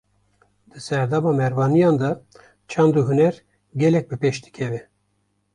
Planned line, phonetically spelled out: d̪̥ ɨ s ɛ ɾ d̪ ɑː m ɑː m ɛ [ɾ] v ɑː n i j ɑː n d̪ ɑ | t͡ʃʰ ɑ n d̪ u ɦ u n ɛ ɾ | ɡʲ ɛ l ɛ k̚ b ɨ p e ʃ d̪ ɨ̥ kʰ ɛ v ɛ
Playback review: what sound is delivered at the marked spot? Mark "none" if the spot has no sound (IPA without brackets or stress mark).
ɾ